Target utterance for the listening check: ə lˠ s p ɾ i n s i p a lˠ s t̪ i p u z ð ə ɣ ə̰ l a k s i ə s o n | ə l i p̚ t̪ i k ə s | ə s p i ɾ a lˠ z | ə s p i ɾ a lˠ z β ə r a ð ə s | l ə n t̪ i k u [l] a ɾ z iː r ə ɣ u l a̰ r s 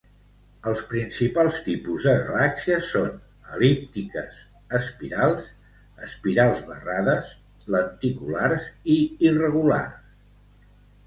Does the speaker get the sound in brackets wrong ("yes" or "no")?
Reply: no